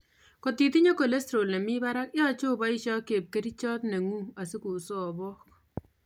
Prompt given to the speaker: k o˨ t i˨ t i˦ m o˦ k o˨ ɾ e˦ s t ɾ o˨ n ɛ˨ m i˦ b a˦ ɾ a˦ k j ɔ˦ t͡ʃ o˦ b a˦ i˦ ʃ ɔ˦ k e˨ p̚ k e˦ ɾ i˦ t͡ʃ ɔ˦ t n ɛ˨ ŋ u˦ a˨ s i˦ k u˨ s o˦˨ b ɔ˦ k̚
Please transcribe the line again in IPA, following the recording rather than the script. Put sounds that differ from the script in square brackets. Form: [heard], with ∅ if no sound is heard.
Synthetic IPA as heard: k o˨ t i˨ t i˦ [ɲ] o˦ k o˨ [l] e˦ s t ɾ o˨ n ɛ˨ m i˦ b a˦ ɾ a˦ k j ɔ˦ t͡ʃ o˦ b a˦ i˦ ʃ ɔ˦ k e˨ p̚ k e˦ ɾ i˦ t͡ʃ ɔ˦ t n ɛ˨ ŋ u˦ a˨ s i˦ k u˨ s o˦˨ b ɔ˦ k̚

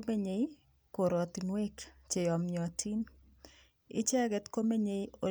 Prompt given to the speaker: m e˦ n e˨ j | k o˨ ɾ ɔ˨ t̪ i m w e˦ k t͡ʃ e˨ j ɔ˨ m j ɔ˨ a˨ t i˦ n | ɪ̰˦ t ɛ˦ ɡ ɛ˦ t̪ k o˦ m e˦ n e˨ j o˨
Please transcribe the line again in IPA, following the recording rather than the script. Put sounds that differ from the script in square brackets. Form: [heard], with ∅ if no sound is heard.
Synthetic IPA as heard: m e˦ [ɲ] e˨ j | k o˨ ɾ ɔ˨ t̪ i [n] w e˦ k t͡ʃ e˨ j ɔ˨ m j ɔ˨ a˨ t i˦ n | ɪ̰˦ [t͡ʃ] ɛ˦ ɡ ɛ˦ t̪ k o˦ m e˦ [ɲ] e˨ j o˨

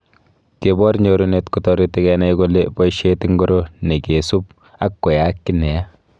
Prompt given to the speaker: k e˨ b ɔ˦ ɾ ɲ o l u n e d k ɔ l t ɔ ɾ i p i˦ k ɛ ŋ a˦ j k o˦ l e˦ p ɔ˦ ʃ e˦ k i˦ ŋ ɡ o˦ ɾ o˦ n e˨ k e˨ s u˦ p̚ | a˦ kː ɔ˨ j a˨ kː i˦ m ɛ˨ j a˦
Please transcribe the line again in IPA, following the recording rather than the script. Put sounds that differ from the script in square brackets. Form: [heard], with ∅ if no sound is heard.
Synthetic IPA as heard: k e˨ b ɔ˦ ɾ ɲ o [ɾ] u n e [t] k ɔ [∅] t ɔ ɾ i [t] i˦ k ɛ [n] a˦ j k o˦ l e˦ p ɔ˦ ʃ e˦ [t] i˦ ŋ ɡ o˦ ɾ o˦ n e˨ k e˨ s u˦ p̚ | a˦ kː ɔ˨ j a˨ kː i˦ [n] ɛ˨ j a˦

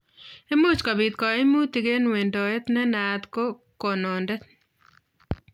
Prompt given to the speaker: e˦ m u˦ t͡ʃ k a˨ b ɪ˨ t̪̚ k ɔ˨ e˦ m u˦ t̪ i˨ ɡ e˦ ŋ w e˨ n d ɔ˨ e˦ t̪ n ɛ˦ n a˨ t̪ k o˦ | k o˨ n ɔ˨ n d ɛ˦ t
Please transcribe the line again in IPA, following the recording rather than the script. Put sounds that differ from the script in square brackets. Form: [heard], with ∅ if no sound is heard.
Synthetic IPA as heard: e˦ m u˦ t͡ʃ k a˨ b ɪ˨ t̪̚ k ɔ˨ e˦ m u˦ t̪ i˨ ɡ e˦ [n] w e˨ n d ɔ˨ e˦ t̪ n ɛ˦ n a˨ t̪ k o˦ | k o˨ n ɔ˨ n d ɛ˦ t

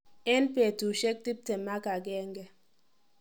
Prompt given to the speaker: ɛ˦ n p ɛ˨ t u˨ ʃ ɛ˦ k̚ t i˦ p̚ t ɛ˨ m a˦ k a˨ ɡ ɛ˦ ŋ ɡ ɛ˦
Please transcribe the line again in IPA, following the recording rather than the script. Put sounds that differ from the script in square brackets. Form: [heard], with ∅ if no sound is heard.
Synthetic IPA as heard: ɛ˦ n p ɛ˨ t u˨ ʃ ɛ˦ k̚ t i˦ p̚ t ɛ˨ m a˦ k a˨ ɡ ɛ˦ ŋ ɡ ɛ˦

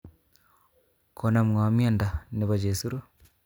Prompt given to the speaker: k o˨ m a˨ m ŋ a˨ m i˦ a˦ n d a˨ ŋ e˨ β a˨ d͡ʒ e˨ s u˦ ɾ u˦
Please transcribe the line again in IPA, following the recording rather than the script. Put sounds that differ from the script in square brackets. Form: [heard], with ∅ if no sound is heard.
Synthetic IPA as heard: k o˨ [n] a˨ m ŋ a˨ m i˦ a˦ n d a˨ [n] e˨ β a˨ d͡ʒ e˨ s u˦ ɾ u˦

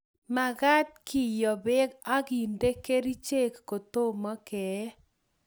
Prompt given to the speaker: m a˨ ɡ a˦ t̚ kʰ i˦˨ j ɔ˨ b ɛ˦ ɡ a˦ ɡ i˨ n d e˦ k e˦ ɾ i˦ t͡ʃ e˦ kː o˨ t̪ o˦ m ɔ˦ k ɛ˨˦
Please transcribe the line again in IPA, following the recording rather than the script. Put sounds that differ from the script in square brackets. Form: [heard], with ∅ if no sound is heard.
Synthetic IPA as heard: m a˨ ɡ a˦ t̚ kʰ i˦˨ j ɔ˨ b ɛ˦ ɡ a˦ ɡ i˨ n d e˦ k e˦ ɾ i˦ t͡ʃ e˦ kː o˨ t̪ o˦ m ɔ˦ k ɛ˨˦

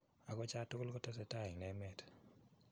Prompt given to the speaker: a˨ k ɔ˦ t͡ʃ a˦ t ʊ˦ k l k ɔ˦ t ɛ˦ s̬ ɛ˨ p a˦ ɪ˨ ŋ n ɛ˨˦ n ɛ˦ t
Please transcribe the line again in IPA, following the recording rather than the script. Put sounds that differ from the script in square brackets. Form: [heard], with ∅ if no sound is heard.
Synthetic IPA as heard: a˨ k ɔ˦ t͡ʃ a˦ t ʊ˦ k l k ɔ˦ t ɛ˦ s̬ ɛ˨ [t] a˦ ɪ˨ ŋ n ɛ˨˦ [m] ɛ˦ t

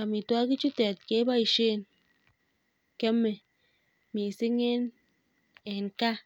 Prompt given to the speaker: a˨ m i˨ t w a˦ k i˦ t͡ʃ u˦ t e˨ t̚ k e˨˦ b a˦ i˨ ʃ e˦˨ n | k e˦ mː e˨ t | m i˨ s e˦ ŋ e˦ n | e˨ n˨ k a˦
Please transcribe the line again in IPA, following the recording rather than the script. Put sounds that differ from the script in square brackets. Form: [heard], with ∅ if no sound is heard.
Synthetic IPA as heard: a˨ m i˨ t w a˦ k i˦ t͡ʃ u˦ t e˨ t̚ k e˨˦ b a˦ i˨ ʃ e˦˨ n | k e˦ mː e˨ [∅] | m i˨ s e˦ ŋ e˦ n | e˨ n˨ k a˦

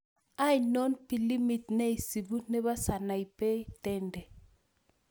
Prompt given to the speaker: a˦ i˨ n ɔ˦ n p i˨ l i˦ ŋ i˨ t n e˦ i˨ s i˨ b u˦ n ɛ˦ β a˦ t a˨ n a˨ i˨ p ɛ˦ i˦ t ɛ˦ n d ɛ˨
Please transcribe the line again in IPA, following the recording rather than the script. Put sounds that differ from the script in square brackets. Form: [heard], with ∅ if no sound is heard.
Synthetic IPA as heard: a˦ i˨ n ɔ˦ n p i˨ l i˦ [m] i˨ t n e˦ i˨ s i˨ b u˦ n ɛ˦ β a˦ [s] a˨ n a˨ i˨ p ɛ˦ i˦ t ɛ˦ n d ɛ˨

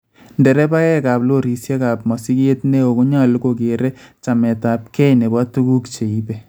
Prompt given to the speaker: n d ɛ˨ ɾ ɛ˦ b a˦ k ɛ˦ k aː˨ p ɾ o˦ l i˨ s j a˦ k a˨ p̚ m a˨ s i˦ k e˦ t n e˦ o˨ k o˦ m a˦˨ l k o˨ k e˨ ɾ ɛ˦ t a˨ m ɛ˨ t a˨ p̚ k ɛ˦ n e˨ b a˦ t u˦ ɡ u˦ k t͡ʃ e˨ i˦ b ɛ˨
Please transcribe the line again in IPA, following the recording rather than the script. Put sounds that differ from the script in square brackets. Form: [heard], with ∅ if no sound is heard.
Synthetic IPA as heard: n d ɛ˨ ɾ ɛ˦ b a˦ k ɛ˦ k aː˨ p [l] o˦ [ɾ] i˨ s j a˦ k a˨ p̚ m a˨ s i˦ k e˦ t n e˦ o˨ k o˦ [ɲ] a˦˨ l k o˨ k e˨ ɾ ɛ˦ [t͡ʃ] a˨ m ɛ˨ t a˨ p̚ k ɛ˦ n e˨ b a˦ t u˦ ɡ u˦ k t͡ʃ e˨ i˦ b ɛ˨

